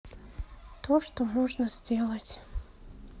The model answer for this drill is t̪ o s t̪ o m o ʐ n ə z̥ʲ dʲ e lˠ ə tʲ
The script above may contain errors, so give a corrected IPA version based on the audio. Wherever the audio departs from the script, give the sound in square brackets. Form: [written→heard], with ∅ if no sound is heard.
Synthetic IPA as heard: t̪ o [s→ʂ] t̪ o m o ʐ n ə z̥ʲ dʲ e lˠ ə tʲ